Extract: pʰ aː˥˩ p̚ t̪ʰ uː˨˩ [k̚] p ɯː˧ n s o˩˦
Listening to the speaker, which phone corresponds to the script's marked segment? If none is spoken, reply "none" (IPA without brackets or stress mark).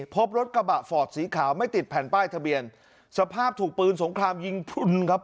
k̚